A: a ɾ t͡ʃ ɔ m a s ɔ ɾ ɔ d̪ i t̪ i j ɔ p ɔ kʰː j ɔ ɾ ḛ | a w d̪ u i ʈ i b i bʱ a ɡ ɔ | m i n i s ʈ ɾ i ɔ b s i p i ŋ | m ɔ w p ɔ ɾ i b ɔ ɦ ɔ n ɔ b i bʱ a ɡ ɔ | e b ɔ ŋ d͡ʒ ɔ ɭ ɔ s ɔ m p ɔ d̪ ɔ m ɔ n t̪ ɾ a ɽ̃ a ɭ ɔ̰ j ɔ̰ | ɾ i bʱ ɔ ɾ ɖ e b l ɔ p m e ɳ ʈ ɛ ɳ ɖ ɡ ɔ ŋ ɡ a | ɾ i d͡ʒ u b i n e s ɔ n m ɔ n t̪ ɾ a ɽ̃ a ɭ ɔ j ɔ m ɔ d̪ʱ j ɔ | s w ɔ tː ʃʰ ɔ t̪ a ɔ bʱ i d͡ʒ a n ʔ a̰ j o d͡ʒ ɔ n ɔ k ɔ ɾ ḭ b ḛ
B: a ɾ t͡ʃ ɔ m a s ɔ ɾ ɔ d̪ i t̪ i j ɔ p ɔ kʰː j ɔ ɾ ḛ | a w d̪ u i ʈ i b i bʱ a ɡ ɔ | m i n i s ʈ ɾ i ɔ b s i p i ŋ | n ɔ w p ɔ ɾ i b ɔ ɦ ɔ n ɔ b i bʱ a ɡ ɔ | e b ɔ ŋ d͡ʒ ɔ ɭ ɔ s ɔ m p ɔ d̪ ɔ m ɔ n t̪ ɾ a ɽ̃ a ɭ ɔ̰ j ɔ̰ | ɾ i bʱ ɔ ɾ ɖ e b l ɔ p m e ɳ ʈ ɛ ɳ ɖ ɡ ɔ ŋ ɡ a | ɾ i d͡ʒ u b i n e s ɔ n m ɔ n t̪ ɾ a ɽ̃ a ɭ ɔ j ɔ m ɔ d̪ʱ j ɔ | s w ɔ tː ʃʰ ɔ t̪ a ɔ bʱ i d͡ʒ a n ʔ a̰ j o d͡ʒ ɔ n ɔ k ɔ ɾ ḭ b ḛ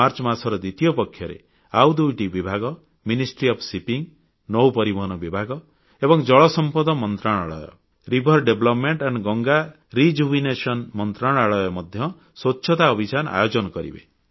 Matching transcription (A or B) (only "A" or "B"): B